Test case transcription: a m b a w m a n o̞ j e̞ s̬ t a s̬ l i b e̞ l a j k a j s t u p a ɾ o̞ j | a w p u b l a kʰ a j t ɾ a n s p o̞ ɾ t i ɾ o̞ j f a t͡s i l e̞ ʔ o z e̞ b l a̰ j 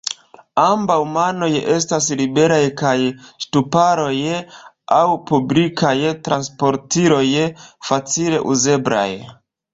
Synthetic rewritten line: a m b a w m a n o̞ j e̞ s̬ t a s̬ l i b e̞ ɾ a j k a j s t u p a ɾ o̞ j | a w p u b l i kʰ a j t ɾ a n s p o̞ ɾ t i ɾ o̞ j f a t͡s i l e̞ ʔ u z e̞ b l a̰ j